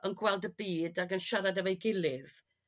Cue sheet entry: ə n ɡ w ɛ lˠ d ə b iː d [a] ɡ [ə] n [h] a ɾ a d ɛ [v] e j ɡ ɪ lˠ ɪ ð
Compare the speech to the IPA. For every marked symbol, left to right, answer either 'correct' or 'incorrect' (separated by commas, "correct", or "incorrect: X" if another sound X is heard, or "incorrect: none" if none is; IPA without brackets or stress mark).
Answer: correct, correct, incorrect: ʃ, correct